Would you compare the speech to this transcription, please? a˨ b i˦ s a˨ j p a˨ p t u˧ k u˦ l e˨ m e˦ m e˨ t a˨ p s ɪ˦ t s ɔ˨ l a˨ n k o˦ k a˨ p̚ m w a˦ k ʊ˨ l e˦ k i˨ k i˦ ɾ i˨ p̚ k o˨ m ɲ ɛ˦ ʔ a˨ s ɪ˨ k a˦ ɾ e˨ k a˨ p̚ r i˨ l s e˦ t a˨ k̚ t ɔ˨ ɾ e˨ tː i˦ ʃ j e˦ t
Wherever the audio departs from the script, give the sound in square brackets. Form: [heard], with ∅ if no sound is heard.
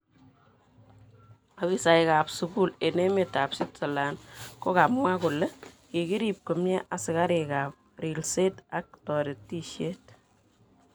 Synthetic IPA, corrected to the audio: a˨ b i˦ s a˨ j [k] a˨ p [s] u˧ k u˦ l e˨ [n] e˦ m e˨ t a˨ p s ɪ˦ t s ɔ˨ l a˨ n k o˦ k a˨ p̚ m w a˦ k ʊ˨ l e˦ k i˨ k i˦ ɾ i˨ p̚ k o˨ m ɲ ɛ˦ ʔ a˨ s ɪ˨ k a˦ ɾ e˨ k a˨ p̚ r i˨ l s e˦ t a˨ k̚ t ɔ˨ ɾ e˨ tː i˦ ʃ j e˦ t